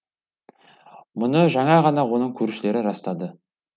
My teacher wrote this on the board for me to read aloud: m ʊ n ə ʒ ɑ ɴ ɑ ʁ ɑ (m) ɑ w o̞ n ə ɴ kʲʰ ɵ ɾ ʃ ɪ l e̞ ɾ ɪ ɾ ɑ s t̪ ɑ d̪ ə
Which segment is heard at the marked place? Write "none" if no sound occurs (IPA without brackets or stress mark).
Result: n